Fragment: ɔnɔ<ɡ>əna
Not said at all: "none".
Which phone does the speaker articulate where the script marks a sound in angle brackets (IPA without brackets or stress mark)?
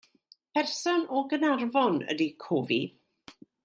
ɡ